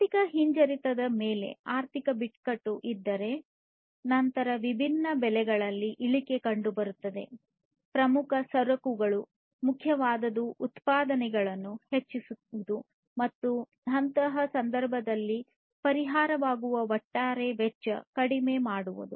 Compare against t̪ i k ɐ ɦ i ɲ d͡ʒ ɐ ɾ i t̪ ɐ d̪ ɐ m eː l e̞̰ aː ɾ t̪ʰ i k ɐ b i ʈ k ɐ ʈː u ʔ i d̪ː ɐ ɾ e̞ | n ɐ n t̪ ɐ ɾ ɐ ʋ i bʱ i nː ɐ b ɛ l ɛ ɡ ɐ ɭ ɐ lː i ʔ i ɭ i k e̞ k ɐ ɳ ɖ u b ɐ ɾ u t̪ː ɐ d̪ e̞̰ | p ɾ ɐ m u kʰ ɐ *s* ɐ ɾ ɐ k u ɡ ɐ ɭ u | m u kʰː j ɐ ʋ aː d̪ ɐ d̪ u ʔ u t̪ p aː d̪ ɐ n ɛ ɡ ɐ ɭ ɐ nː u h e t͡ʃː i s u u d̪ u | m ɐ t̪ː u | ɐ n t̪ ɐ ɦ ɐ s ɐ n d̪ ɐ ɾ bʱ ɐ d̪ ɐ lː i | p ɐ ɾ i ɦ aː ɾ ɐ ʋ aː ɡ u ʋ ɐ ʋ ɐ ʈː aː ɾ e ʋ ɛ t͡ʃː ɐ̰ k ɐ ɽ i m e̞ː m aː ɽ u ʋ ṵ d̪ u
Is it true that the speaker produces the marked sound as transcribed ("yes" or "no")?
yes